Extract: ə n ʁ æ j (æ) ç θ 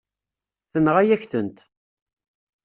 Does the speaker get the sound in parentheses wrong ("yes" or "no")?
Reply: no